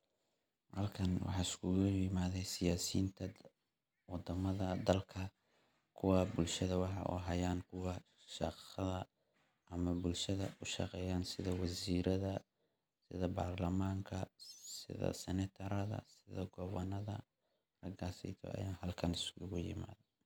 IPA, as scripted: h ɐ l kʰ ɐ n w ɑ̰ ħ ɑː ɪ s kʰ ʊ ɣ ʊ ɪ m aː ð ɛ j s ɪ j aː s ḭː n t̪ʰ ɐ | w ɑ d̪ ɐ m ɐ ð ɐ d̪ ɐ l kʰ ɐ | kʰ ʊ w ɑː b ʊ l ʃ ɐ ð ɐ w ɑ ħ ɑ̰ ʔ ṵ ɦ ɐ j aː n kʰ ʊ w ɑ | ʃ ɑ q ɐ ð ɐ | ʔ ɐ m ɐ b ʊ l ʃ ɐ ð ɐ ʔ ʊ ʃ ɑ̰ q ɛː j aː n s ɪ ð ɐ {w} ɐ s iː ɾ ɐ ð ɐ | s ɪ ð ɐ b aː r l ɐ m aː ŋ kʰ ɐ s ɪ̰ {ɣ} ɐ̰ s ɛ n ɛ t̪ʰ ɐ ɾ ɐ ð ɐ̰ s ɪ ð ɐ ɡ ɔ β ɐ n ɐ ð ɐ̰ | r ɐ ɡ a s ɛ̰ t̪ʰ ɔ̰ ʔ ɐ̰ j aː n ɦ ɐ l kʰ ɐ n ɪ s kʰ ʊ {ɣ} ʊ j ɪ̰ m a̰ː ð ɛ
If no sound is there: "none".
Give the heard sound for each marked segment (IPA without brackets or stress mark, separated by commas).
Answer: w, ð, ɣ